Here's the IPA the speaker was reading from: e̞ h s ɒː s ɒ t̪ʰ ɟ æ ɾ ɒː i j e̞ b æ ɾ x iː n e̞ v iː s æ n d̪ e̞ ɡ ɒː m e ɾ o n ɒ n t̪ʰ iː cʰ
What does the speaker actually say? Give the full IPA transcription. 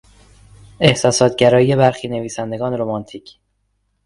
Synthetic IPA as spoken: e̞ h s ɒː s ɒː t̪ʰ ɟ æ ɾ ɒː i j e̞ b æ ɾ x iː n e̞ v iː s æ n d̪ e̞ ɡ ɒː n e ɾ o m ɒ n t̪ʰ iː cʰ